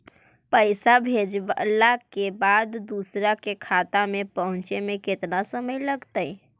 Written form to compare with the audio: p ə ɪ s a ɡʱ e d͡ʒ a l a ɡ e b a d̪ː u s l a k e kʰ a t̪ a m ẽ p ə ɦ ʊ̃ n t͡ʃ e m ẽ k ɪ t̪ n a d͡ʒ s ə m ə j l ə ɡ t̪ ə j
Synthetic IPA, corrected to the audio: p ə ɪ s a bʱ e d͡ʒ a l a k e b a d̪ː u s ɾ a k e kʰ a t̪ a m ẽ p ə ɦ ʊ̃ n t͡ʃ e m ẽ k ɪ t̪ n a s ə m ə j l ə ɡ t̪ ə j